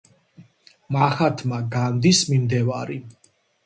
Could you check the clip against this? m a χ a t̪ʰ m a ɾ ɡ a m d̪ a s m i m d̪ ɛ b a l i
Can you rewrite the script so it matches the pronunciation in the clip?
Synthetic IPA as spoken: m a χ a t̪ʰ m a ɡ a n d̪ i s m i m d̪ ɛ v a ɾ i